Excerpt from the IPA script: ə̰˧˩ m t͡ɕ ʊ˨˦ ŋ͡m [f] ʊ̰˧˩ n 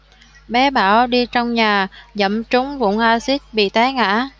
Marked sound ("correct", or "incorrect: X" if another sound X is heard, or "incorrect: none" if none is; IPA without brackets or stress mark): incorrect: v